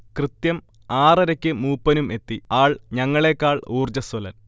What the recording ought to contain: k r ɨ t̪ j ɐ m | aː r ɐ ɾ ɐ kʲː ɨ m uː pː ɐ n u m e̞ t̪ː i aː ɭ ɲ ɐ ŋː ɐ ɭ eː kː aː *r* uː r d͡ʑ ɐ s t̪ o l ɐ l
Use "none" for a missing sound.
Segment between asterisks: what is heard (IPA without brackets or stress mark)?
ɭ